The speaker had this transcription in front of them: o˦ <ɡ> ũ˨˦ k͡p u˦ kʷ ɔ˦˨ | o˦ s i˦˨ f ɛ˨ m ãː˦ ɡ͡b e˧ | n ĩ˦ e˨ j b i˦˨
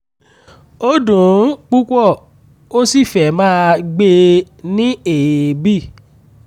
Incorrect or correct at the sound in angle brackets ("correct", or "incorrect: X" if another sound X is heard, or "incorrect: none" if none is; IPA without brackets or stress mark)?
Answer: incorrect: d